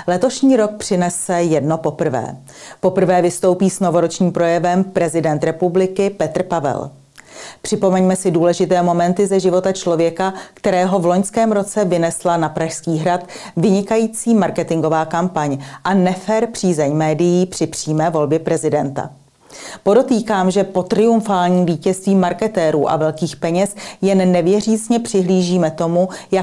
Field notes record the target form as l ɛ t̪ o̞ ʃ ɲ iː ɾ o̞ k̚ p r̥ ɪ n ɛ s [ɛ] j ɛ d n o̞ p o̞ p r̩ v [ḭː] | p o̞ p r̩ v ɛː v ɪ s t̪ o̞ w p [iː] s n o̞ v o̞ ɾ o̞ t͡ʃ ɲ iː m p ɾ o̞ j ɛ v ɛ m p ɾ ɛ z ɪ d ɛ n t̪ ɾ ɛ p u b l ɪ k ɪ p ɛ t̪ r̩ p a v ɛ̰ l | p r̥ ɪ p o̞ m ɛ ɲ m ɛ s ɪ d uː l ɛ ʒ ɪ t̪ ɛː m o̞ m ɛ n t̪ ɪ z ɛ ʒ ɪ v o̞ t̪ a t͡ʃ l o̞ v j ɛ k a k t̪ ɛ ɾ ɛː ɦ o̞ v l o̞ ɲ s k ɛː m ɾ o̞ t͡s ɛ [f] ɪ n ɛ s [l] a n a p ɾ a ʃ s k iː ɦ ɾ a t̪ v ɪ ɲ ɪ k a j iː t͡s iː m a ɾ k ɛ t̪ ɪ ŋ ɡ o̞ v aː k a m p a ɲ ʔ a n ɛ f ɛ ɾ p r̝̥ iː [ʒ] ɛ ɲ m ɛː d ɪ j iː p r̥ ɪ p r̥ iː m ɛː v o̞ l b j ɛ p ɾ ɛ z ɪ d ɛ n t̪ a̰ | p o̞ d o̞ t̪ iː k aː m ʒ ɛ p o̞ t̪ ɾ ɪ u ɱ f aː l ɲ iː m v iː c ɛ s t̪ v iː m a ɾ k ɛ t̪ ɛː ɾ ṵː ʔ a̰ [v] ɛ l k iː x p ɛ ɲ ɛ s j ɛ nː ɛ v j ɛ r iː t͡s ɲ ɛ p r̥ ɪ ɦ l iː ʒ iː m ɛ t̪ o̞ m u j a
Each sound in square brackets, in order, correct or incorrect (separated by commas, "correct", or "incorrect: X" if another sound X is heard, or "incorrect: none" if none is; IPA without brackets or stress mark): correct, incorrect: ɛ̰ː, correct, incorrect: v, correct, incorrect: z, correct